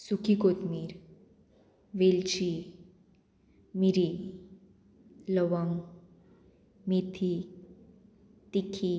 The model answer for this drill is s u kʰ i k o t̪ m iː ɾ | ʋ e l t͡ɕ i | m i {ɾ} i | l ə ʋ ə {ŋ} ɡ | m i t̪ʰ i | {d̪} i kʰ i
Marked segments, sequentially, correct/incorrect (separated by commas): correct, correct, incorrect